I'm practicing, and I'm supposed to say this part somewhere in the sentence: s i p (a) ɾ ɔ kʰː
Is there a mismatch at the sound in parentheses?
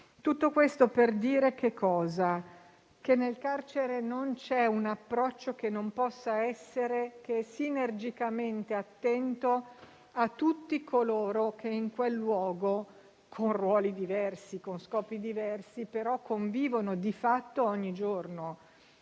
yes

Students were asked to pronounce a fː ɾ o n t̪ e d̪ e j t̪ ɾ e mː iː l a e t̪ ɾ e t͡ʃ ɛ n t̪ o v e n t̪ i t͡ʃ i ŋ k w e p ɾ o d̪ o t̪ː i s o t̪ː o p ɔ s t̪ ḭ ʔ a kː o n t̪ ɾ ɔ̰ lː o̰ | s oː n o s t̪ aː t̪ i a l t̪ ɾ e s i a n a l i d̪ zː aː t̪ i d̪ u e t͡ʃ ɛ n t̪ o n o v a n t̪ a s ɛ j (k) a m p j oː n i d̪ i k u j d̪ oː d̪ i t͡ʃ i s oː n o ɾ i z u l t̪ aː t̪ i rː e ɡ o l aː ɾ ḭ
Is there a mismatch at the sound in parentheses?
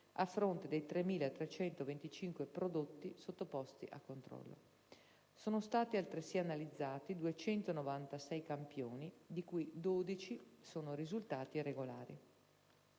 no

